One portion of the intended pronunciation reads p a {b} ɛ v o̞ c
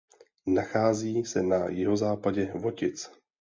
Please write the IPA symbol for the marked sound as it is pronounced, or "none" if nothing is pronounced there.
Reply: ɟ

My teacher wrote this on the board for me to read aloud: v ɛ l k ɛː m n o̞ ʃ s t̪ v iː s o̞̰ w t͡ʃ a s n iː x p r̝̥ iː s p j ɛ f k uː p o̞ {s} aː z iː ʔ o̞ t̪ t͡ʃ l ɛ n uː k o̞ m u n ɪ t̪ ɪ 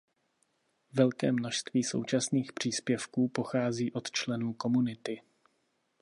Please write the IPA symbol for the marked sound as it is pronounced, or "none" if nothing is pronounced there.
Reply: x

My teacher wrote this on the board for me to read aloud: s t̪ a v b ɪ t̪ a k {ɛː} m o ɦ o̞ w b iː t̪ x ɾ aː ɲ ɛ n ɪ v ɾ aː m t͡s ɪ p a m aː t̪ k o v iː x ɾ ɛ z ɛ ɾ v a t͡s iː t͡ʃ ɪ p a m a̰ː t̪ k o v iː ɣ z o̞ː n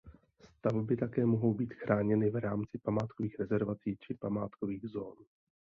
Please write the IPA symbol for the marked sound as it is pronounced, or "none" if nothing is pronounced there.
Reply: ɛː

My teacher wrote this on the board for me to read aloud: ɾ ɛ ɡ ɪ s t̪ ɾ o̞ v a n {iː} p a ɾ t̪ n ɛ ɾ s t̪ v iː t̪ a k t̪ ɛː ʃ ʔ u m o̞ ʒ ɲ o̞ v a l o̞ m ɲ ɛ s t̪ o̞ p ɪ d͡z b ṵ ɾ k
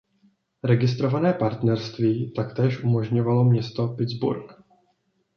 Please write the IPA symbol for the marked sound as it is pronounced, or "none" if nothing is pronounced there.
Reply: ɛː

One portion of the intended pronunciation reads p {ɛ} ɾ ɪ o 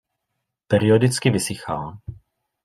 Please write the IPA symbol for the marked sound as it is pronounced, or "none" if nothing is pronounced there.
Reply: ɛ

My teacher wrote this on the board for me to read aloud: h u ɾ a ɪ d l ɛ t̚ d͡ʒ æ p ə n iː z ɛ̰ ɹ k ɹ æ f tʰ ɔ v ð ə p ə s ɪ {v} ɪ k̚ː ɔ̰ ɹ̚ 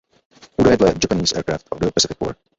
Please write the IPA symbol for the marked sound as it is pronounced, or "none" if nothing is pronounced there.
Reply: f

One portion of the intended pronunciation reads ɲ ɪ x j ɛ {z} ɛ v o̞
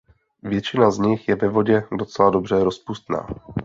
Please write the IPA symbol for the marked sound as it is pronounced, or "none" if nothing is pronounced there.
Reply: v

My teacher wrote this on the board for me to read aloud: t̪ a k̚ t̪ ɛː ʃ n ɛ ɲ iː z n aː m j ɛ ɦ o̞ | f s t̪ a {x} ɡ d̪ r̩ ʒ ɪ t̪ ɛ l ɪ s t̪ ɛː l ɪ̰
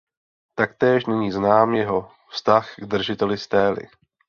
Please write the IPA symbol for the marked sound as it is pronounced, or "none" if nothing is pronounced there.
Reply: x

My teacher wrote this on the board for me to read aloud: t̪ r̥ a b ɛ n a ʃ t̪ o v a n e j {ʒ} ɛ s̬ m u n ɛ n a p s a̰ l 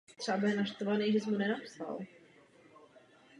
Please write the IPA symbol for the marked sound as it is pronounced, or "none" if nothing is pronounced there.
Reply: ʒ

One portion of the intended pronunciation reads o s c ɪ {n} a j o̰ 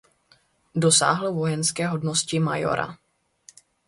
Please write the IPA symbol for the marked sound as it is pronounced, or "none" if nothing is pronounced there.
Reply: m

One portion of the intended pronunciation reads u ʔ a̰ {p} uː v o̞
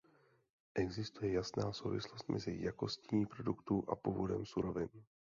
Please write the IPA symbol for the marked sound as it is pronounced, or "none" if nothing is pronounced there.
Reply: p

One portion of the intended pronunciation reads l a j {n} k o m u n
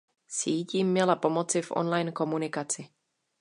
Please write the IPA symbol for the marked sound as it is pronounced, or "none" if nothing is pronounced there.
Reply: n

